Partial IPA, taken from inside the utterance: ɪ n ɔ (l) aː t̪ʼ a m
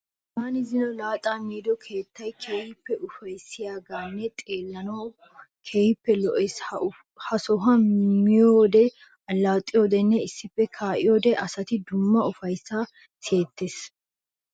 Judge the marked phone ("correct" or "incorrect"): correct